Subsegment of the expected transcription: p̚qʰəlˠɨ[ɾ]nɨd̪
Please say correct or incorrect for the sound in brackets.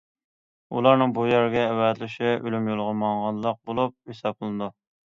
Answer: incorrect